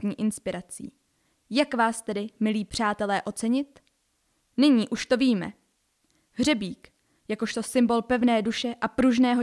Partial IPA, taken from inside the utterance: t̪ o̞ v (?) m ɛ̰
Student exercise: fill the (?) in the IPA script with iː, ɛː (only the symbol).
iː